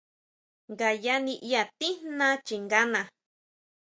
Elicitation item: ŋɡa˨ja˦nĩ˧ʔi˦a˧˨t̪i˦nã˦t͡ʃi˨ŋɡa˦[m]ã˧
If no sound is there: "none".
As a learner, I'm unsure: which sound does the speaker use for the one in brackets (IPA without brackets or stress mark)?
n